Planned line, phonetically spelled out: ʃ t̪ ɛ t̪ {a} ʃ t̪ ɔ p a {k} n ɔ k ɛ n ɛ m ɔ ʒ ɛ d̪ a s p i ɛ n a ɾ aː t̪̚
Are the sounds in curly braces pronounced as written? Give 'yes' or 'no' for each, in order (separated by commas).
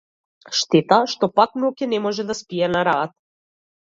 yes, yes